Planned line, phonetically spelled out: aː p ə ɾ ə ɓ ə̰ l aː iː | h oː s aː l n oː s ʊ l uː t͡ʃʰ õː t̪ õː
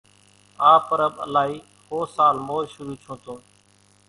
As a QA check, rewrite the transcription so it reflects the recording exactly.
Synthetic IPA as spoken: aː p ə ɾ ə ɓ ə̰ l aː iː | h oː s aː l m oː ʃ ʊ ɾ uː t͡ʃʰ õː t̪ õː